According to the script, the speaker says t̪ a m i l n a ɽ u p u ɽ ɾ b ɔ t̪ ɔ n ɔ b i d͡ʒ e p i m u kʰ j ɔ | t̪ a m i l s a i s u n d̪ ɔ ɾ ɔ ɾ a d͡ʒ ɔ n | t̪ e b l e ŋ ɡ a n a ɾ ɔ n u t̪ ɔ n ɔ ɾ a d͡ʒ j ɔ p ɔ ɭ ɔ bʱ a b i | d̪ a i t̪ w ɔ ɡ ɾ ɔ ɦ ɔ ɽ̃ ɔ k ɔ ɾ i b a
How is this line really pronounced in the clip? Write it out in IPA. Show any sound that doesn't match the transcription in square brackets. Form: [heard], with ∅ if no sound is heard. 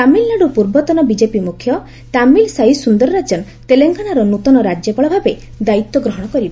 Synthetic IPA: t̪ a m i l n a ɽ u p u [∅] ɾ b ɔ t̪ ɔ n ɔ b i d͡ʒ e p i m u kʰ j ɔ | t̪ a m i l s a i s u n d̪ ɔ ɾ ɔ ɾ a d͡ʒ ɔ n | t̪ e [∅] l e ŋ ɡ a n a ɾ ɔ n u t̪ ɔ n ɔ ɾ a d͡ʒ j ɔ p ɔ ɭ ɔ bʱ a b [e] | d̪ a i t̪ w ɔ ɡ ɾ ɔ ɦ ɔ ɽ̃ ɔ k ɔ ɾ i b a